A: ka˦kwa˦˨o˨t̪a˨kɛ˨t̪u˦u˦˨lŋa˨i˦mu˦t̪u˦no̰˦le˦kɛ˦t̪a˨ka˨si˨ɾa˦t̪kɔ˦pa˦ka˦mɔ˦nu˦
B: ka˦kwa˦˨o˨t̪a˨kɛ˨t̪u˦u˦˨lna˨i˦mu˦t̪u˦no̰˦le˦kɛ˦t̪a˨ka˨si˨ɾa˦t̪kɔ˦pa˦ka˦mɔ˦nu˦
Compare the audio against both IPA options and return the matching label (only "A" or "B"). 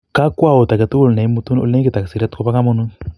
B